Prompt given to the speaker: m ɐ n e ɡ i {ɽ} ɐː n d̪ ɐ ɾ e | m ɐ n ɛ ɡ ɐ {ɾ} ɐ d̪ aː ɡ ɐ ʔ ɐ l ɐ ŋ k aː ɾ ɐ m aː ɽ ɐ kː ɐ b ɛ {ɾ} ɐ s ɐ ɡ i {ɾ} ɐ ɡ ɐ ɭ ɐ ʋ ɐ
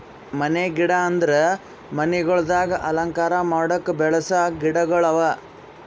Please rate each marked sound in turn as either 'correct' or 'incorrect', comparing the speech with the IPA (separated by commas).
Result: correct, incorrect, incorrect, incorrect